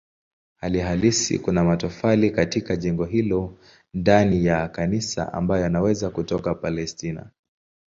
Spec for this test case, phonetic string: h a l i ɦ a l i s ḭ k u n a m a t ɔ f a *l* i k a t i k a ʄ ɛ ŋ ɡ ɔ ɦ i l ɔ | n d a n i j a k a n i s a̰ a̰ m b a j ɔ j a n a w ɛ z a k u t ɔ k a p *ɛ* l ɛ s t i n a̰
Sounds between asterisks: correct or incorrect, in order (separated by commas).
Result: correct, incorrect